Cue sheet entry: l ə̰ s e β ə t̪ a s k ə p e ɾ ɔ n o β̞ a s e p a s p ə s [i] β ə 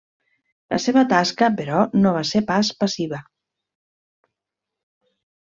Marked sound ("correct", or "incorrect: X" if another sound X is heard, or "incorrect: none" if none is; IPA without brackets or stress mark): correct